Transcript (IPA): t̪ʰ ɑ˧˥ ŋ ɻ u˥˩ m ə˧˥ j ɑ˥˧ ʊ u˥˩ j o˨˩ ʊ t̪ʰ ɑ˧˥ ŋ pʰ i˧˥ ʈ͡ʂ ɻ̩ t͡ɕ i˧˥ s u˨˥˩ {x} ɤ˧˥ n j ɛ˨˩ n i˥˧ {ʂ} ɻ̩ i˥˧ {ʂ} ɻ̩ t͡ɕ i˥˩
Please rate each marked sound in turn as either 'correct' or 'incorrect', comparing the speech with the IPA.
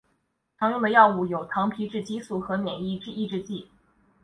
correct, incorrect, incorrect

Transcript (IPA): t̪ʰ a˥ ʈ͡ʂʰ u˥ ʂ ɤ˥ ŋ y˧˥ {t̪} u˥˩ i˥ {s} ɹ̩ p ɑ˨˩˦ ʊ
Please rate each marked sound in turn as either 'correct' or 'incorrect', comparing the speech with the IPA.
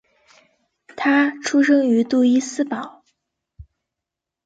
correct, correct

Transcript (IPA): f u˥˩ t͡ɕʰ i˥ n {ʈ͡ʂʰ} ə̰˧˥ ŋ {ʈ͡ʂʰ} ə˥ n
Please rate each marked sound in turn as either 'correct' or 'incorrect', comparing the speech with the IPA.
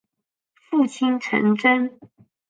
correct, incorrect

